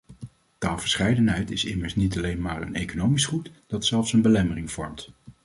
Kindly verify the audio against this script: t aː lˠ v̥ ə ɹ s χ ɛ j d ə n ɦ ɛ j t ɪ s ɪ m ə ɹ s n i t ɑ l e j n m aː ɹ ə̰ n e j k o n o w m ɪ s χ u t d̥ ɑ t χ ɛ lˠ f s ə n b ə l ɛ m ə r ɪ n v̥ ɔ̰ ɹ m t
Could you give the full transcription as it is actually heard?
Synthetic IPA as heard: t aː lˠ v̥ ə ɹ s χ ɛ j d ə n ɦ ɛ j t ɪ s ɪ m ə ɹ s n i t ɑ l e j n m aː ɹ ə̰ n e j k o n o w m i s χ u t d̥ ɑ t s ɛ lˠ f s ə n b ə l ɛ m ə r ɪ ŋ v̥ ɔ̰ ɹ m t